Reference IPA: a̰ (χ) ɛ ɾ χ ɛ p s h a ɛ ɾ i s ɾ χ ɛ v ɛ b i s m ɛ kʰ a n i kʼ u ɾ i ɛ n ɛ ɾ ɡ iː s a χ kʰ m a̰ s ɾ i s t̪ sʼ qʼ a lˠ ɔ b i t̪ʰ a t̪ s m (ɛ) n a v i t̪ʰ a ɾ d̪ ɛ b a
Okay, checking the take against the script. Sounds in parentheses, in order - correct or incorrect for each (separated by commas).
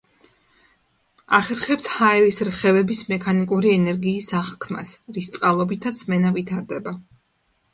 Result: correct, correct